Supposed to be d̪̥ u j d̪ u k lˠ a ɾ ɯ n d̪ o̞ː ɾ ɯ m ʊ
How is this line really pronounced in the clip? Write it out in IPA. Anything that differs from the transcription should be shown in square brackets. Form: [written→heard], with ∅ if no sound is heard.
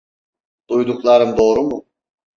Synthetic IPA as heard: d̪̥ u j d̪ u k lˠ a ɾ ɯ [n→m] d̪ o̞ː ɾ [ɯ→u] m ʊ